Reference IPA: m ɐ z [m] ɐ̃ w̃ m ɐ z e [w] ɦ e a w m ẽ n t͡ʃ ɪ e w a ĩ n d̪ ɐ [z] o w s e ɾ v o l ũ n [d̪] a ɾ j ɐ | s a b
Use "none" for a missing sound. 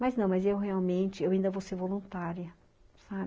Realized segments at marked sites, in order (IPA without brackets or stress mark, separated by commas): n, w, v, t̪